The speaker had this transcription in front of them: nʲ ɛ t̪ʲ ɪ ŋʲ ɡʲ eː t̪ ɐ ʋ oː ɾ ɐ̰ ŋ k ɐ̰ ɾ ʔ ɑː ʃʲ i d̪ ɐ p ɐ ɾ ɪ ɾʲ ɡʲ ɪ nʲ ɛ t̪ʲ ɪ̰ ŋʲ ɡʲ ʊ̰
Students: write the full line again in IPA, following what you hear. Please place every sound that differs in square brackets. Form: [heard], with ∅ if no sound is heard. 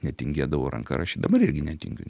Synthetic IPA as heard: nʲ ɛ t̪ʲ ɪ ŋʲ ɡʲ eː [d̪] ɐ ʋ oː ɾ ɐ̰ ŋ k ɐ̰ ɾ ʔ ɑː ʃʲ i d̪ ɐ [b] ɐ ɾ ɪ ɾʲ ɡʲ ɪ nʲ ɛ t̪ʲ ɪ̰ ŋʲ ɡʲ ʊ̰